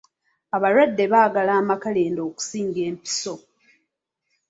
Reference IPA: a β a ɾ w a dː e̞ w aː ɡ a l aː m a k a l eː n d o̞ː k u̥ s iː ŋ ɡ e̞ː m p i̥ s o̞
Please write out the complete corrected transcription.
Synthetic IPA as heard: a β a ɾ w a dː e̞ β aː ɡ a l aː m a k a l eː n d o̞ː k u̥ s iː ŋ ɡ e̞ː m p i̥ s o̞